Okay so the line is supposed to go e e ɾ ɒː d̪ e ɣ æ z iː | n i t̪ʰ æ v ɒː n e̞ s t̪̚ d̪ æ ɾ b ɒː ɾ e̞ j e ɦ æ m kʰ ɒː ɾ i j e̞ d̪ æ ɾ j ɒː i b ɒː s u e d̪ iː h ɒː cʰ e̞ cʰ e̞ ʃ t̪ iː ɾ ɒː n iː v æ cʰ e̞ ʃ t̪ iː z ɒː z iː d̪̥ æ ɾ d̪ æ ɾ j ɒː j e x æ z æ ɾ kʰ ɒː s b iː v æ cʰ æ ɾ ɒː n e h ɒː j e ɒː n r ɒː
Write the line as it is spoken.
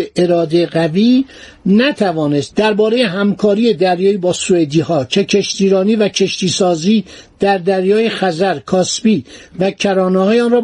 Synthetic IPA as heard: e e ɾ ɒː d̪ e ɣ æ v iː | n æ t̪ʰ æ v ɒː n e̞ s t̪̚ d̪ æ ɾ b ɒː ɾ e̞ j e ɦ æ m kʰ ɒː ɾ i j e̞ d̪ æ ɾ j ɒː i b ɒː s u e d̪ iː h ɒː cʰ e̞ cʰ e̞ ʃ t̪ iː ɾ ɒː n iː v æ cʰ e̞ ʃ t̪ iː s ɒː z iː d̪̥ æ ɾ d̪ æ ɾ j ɒː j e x æ z æ ɾ kʰ ɒː s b iː v æ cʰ æ ɾ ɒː n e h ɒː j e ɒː n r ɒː